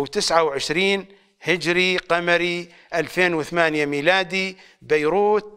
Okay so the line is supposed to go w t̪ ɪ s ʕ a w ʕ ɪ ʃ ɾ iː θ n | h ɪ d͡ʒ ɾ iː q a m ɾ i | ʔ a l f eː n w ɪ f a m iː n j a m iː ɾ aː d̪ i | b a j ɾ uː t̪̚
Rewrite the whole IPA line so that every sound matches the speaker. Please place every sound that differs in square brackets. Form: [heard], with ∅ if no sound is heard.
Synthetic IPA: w t̪ ɪ s ʕ a w ʕ ɪ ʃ ɾ iː [∅] n | h ɪ d͡ʒ ɾ [i] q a m ɾ i | ʔ a l f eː n w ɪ [θ] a m [aː] n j a m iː [l] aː d̪ i | b a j ɾ uː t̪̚